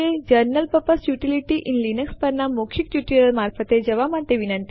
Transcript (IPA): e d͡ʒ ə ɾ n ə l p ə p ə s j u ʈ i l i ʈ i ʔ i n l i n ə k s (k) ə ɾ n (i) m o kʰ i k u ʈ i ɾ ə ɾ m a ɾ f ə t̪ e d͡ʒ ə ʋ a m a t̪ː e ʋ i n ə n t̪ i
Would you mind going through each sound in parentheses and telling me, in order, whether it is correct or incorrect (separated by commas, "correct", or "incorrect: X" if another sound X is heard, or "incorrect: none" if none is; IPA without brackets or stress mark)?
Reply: incorrect: p, incorrect: a